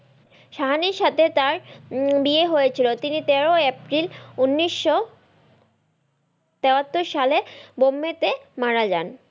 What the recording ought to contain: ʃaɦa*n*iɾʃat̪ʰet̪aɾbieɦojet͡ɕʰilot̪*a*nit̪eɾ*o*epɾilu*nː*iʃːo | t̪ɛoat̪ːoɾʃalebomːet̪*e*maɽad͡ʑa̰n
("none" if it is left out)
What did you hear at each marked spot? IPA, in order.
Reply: n, i, o, nː, e

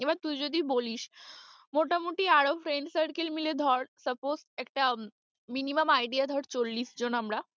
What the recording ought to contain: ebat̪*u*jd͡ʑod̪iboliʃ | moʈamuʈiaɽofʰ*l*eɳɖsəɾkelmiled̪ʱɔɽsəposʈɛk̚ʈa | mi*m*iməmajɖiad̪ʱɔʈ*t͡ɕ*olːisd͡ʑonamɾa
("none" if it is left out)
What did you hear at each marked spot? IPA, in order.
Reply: u, ɾ, n, t͡ɕ

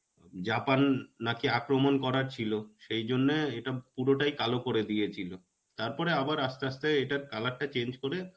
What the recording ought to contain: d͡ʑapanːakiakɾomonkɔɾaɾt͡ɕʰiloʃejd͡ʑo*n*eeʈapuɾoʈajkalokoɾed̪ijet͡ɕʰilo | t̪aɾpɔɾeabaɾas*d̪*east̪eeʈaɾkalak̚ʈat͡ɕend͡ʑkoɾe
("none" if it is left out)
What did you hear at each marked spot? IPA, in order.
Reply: nː, t̪

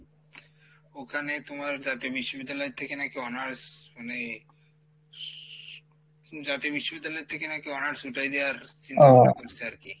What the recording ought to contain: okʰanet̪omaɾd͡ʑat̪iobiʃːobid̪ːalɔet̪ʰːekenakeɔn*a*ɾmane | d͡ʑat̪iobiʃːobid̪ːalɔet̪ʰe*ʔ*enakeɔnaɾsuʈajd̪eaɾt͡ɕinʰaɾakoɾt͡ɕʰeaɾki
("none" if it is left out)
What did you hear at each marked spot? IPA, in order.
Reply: a, k

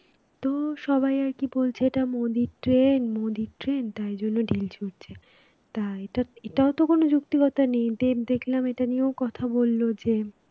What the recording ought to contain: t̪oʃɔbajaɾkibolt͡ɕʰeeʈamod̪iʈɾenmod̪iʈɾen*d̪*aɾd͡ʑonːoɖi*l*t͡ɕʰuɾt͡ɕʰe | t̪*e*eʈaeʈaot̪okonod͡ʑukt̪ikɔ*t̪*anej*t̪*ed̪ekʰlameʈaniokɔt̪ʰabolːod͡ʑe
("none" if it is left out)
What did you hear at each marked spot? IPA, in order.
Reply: t̪, l, a, t̪, d̪

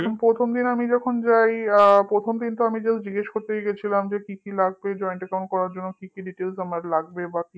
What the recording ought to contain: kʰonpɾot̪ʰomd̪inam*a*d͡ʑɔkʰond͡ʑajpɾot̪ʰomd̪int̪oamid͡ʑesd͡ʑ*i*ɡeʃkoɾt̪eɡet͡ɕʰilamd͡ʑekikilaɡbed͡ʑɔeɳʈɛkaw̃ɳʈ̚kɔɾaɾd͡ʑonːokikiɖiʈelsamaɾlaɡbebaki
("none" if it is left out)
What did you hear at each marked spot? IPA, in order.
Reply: i, i

